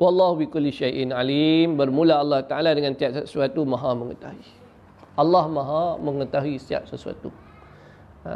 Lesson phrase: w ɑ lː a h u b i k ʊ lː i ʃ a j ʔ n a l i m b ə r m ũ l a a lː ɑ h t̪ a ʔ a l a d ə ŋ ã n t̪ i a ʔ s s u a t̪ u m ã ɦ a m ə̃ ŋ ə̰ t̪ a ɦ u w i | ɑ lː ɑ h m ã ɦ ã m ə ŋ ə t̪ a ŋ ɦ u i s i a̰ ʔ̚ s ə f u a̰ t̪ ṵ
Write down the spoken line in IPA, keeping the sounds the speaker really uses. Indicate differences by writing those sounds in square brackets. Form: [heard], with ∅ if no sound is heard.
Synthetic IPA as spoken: w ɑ lː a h u b i k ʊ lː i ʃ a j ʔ n a l i m b ə r m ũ l a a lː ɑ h t̪ a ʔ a l a d ə ŋ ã n t̪ i a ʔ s s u a t̪ u m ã ɦ a m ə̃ ŋ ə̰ t̪ a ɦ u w i | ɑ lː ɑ h m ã ɦ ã m ə ŋ ə t̪ a [∅] ɦ u i s i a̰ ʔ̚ s ə [s] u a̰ t̪ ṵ